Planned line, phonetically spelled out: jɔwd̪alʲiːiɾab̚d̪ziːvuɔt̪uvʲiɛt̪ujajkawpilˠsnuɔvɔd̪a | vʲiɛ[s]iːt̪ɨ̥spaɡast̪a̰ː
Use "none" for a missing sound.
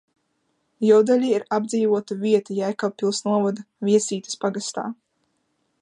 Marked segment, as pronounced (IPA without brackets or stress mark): s